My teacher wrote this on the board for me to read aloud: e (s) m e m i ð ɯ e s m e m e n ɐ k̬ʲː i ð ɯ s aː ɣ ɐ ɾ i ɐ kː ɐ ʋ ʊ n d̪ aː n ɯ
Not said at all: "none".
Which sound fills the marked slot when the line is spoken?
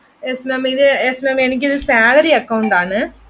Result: s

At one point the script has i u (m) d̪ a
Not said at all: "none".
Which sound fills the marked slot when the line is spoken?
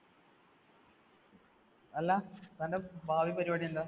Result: n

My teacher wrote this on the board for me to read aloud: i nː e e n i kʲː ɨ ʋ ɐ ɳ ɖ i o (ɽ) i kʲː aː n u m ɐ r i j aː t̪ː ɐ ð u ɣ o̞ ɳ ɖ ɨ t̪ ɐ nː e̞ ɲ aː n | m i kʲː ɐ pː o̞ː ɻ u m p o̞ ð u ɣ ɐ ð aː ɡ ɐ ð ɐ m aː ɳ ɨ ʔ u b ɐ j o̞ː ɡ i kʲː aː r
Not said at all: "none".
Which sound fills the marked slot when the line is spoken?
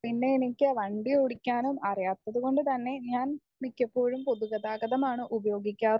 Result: ɽ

